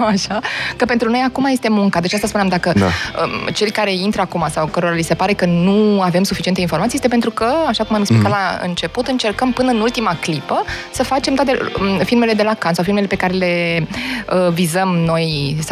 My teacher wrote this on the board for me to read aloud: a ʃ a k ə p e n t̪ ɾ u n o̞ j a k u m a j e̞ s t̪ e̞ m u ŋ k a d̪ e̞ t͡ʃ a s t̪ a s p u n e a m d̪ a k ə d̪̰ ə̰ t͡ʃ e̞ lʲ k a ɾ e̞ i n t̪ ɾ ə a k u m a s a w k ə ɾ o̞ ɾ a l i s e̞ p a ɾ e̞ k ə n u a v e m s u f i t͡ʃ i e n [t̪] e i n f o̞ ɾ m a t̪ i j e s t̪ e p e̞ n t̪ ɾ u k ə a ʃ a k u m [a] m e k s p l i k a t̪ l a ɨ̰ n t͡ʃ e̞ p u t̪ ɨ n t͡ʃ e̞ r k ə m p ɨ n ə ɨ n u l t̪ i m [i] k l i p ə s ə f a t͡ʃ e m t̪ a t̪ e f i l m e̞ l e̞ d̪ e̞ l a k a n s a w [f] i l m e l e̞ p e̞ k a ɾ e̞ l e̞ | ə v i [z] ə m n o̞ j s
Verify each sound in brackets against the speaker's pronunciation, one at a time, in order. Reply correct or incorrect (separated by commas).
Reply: correct, correct, incorrect, correct, correct